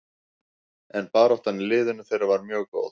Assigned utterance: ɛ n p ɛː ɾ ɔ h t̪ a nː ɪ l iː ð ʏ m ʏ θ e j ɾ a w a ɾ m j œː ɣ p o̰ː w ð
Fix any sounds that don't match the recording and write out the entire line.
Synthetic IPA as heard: ɛ n p aː ɾ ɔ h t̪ a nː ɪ l ɪː ð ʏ n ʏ θ e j ɾ a v a ɾ m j œː ɣ k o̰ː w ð